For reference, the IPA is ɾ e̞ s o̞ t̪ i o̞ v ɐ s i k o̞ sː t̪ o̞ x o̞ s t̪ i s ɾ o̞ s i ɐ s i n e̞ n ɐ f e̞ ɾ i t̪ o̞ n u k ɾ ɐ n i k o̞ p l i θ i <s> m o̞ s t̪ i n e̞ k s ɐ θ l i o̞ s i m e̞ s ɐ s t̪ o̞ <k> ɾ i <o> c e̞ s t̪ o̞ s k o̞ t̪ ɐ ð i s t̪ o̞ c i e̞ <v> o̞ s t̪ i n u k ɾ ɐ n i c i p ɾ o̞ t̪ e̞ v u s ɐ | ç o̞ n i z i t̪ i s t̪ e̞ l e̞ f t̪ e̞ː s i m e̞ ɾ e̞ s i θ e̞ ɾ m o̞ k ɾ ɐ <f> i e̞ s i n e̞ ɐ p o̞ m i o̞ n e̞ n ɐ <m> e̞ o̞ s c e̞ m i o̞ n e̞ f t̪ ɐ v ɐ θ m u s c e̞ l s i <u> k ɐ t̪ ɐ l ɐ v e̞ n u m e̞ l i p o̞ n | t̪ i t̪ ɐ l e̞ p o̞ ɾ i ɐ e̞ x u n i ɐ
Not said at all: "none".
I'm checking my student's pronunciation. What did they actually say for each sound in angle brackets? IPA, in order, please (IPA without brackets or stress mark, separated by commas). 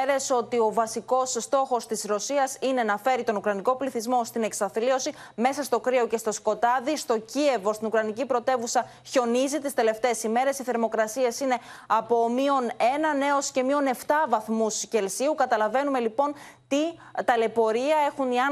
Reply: z, k, o, v, s, n, u